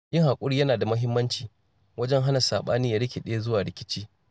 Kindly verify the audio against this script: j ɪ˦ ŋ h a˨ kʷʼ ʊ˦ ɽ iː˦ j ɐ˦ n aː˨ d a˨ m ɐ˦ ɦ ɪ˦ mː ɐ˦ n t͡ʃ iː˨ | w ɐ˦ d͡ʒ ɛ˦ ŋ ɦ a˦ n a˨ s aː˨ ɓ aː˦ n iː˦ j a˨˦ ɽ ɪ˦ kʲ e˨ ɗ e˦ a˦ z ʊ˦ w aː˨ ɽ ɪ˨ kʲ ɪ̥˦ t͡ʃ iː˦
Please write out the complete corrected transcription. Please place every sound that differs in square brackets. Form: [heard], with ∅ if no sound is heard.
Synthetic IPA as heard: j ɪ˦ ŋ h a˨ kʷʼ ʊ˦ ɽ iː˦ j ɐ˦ n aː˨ d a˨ m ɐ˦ ɦ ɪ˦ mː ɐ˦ n t͡ʃ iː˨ | w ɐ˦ d͡ʒ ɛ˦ ŋ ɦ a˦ n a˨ s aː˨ ɓ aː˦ n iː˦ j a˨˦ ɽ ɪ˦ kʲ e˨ ɗ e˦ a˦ z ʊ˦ w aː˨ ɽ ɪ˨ kʲ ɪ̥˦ t͡ʃ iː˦